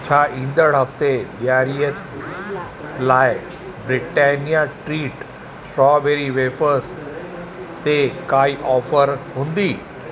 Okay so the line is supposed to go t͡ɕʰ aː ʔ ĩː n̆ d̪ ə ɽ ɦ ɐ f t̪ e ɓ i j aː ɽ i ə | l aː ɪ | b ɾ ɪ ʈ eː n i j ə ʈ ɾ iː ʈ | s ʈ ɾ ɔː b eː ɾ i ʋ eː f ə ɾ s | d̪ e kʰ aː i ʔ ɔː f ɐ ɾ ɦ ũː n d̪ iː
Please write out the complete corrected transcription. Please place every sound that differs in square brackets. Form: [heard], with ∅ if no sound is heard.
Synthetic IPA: t͡ɕʰ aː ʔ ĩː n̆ d̪ ə ɽ ɦ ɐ f t̪ e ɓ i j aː [ɾ] i ə | l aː ɪ | b ɾ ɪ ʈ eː n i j [a] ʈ ɾ iː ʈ | s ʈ ɾ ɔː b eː ɾ i ʋ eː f ə ɾ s | [t̪] e [k] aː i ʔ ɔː f [ə] ɾ ɦ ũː n d̪ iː

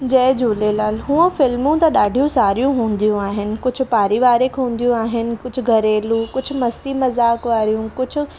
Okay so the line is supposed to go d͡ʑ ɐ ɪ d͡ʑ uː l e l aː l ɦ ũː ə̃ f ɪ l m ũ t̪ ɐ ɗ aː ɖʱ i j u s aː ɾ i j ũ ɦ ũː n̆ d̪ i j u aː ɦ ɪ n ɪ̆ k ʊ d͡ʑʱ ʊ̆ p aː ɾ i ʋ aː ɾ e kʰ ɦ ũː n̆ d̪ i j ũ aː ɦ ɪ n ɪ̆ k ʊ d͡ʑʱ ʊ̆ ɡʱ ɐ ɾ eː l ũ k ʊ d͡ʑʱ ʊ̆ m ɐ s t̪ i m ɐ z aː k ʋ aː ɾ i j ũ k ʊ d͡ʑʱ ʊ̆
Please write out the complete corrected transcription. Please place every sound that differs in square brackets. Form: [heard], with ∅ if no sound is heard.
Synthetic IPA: d͡ʑ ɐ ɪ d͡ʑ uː l e l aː l ɦ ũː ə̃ f ɪ l m ũ t̪ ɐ ɗ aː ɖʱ i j [ũ] s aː ɾ i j ũ ɦ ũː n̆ d̪ i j [ũ] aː ɦ ɪ n ɪ̆ k ʊ d͡ʑʱ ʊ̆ p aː ɾ i ʋ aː ɾ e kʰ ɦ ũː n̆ d̪ i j ũ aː ɦ ɪ n ɪ̆ k ʊ d͡ʑʱ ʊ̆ ɡʱ ɐ ɾ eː l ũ k ʊ d͡ʑʱ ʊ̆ m ɐ s t̪ i m ɐ z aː k ʋ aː ɾ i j ũ k ʊ d͡ʑʱ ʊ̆

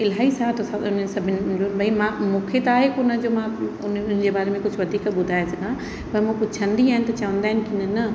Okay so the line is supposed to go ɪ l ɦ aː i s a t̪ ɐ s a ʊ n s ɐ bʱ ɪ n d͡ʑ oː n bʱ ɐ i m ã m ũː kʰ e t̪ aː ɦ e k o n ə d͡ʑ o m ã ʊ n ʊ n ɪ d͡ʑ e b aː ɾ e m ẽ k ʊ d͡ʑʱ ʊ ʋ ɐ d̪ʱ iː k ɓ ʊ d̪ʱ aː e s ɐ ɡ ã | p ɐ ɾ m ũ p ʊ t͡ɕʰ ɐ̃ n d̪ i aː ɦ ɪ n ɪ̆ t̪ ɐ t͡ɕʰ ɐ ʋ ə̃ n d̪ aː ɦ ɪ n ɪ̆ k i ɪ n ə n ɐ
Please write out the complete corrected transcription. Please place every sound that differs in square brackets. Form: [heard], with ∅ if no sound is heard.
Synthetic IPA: ɪ l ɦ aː i s a t̪ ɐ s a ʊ n s ɐ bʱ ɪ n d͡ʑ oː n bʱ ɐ i m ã m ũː kʰ e t̪ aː ɦ e k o n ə d͡ʑ o m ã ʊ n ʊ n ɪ d͡ʑ e b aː ɾ e m ẽ k ʊ d͡ʑʱ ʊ ʋ ɐ d̪ʱ iː k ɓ ʊ d̪ʱ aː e s ɐ ɡ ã | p ɐ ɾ m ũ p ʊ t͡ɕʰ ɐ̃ n d̪ i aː ɦ ɪ n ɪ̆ t̪ ɐ [t͡ɕ] ɐ ʋ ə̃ n d̪ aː ɦ ɪ n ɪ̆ k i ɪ n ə n ɐ

